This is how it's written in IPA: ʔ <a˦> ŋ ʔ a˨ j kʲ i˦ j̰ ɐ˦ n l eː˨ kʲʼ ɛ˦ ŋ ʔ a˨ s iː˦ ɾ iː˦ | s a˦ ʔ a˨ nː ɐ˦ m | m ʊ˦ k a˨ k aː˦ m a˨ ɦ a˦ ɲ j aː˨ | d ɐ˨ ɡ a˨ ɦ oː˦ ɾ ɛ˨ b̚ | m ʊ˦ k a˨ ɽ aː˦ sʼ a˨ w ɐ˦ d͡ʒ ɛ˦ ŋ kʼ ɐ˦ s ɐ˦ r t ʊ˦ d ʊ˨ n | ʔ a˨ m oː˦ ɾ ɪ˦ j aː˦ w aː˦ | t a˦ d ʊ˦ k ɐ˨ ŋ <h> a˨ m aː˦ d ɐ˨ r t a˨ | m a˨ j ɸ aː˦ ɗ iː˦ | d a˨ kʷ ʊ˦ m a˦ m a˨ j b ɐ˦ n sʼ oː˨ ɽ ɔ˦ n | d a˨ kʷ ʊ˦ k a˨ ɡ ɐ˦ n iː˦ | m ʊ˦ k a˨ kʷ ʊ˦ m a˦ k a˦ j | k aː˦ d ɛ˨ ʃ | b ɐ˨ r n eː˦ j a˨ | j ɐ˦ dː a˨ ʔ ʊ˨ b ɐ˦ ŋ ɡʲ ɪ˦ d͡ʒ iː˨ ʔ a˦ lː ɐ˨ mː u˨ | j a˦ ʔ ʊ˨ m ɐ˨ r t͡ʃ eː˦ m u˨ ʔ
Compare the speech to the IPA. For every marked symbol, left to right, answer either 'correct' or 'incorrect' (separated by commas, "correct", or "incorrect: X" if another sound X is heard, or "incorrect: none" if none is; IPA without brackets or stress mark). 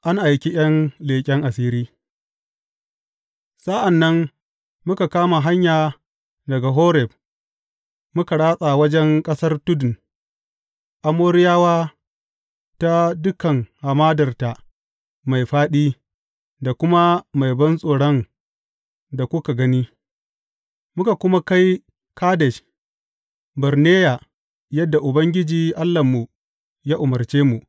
correct, correct